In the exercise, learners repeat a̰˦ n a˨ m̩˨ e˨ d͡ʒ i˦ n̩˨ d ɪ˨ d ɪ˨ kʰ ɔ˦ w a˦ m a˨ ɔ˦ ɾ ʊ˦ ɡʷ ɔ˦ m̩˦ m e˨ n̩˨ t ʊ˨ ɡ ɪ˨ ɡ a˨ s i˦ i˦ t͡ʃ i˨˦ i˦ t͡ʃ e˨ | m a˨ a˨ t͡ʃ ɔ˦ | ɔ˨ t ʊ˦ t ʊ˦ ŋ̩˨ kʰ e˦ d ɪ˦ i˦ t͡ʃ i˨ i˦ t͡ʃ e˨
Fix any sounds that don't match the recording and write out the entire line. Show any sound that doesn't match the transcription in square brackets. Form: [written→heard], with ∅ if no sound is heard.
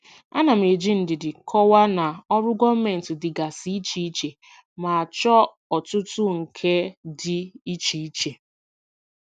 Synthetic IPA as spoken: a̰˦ n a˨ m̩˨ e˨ d͡ʒ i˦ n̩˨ d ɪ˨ d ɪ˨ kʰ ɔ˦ w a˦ [m→n] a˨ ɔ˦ ɾ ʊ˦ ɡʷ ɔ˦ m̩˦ m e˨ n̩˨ t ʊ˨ [ɡ→d] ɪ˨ ɡ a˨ s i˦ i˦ t͡ʃ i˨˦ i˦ t͡ʃ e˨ | m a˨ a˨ t͡ʃ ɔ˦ | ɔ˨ t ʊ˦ t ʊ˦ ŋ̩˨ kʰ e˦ d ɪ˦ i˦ t͡ʃ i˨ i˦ t͡ʃ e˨

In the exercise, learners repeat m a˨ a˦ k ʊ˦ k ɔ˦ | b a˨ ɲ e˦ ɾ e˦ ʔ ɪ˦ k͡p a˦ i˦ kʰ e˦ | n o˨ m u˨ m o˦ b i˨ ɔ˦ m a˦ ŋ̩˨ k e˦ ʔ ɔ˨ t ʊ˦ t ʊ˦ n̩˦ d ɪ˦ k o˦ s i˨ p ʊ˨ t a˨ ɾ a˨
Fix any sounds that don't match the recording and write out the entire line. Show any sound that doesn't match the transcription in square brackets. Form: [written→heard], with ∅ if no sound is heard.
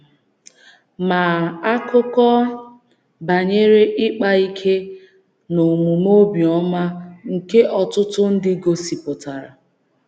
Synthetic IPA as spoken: m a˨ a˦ k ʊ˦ k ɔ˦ | b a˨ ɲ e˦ ɾ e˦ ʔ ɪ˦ k͡p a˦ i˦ kʰ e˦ | n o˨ m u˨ m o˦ b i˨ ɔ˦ m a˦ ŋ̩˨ k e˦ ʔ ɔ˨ t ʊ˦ t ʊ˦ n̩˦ d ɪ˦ [k→ɡ] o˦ s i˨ p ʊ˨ t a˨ ɾ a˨

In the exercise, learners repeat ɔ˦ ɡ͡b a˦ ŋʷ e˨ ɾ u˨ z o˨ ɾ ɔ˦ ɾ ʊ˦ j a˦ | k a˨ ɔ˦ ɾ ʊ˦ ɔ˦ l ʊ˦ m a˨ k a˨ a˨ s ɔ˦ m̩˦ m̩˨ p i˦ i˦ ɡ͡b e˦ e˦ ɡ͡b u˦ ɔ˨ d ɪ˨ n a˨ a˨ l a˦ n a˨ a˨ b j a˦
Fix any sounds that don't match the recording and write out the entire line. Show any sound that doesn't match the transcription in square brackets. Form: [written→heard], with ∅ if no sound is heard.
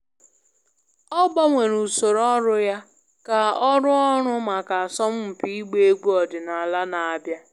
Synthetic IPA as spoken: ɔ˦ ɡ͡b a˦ ŋʷ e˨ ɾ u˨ [z→s] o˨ ɾ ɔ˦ ɾ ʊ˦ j a˦ | k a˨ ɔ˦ ɾ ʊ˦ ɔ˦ [l→ɾ] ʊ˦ m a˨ k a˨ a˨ s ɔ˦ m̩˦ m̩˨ p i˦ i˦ ɡ͡b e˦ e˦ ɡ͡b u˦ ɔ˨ d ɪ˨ n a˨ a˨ l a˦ n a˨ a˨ b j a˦

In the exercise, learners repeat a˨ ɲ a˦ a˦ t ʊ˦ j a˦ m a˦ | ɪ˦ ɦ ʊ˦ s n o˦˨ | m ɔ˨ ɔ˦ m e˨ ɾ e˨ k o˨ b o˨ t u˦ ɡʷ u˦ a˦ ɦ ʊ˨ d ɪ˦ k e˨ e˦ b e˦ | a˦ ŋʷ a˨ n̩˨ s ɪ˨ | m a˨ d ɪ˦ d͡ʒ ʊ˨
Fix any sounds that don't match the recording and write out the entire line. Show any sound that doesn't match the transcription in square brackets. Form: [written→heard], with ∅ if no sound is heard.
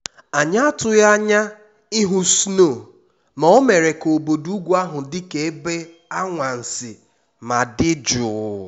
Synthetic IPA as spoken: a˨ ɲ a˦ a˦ t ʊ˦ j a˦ [m→ɲ] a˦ | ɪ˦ ɦ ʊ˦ s n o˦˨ | m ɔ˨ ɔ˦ m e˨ ɾ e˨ k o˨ b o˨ [t→d] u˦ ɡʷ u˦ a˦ ɦ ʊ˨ d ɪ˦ k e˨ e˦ b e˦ | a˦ ŋʷ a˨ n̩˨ s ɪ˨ | m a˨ d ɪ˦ d͡ʒ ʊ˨

